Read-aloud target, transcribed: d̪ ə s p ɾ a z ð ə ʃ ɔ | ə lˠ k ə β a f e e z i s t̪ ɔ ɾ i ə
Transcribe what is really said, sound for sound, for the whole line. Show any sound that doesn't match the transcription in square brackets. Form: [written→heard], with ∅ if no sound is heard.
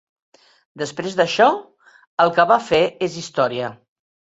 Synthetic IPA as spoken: d̪ ə s p ɾ [a→e] z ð ə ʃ ɔ | ə lˠ k ə β a f e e z i s t̪ ɔ ɾ i ə